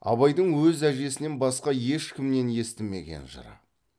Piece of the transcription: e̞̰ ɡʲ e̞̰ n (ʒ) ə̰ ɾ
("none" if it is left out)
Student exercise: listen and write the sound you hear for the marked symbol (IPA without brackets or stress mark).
ʒ